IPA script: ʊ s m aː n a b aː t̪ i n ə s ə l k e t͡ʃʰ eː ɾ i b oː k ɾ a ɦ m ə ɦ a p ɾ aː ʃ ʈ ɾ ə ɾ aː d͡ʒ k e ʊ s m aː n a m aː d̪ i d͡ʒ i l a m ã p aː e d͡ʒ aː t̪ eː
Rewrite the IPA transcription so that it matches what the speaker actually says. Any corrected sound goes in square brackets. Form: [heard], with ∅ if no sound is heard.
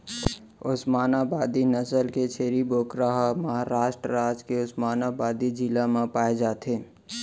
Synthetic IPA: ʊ s m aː n a b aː [d̪] i n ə s ə l k e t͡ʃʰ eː ɾ i b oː k ɾ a ɦ m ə ɦ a [∅] ɾ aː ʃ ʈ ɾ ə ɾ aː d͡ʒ k e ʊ s m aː n a [b] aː d̪ i d͡ʒ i l a m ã p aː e d͡ʒ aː t̪ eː

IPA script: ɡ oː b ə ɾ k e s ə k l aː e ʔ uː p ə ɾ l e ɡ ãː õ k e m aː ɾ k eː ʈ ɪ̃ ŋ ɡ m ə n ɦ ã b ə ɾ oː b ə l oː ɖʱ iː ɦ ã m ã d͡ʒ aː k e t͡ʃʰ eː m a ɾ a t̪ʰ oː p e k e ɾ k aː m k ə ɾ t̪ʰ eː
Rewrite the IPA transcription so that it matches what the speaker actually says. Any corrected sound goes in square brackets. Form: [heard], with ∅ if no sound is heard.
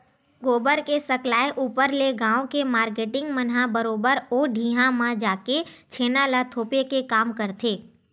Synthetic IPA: ɡ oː b ə ɾ k e s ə k l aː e ʔ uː p ə ɾ l e ɡ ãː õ k e m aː ɾ k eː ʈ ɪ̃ ŋ ɡ m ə n ɦ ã b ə ɾ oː b ə [ɾ] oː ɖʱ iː ɦ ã m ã d͡ʒ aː k e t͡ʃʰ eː [n] a [l] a t̪ʰ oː p e k e [∅] k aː m k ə ɾ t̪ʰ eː

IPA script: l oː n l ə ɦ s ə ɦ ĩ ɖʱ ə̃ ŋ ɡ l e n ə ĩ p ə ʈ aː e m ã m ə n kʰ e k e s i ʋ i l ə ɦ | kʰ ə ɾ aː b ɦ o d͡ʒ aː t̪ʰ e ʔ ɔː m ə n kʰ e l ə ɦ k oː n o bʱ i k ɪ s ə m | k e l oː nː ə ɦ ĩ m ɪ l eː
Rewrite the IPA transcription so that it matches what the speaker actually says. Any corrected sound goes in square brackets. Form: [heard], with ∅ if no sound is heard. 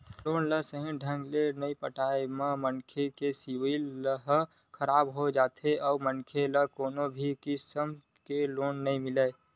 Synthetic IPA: l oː n l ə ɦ s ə ɦ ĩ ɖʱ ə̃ ŋ ɡ l e n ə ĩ p ə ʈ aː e m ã m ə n kʰ e k e s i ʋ i l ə ɦ | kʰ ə ɾ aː b ɦ o d͡ʒ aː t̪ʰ e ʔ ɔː m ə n kʰ e l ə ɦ k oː n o bʱ i k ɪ s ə m | k e l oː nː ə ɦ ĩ m ɪ l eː

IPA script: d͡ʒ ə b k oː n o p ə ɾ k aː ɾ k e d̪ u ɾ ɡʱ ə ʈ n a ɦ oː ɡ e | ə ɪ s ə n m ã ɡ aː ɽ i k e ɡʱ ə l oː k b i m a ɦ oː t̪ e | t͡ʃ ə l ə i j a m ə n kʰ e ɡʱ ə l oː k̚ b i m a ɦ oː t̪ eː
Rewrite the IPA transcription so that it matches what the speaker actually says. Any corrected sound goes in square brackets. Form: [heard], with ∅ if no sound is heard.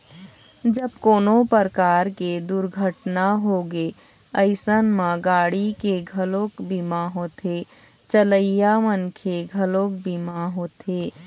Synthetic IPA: d͡ʒ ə b k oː n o p ə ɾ k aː ɾ k e d̪ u ɾ ɡʱ ə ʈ n a ɦ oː ɡ e | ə ɪ s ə n m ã ɡ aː ɽ i k e ɡʱ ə l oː k b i m a ɦ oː t̪ e | t͡ʃ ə l ə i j a m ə n kʰ e ɡʱ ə l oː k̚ b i m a ɦ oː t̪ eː

